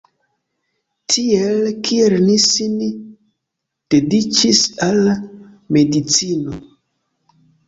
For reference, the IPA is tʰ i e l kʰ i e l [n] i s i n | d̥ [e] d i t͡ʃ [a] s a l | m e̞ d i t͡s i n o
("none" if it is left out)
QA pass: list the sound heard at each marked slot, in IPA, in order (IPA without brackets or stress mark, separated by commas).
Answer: n, e, i